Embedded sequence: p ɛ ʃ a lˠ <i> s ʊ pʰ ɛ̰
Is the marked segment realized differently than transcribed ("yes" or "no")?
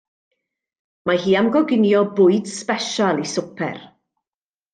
no